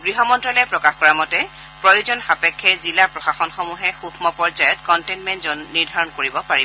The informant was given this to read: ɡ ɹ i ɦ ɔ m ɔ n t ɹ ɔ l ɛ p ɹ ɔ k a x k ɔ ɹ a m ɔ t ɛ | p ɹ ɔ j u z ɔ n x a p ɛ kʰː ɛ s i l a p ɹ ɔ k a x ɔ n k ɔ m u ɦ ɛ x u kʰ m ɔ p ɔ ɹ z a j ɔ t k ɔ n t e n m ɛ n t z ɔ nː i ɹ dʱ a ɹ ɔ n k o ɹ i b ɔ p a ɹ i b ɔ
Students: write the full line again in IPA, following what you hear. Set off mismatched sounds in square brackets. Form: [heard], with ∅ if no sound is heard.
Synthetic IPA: ɡ ɹ i ɦ ɔ m ɔ n t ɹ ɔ l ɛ p ɹ ɔ k a x k ɔ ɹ a m ɔ t ɛ | p ɹ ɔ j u z ɔ n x a p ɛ kʰː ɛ [z] i l a p ɹ ɔ [x] a x ɔ n [x] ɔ m u ɦ ɛ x u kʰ m ɔ p ɔ ɹ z a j ɔ t k ɔ n t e n m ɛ n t z ɔ nː i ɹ dʱ a ɹ ɔ n k o ɹ i b ɔ p a ɹ i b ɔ